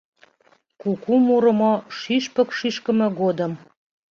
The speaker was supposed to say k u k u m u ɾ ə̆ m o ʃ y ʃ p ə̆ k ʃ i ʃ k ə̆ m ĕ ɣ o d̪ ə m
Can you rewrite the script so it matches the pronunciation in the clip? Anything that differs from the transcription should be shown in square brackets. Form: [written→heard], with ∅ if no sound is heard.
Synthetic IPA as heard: k u k u m u ɾ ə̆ m o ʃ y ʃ p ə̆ k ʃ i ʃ k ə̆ m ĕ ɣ o d̪ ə m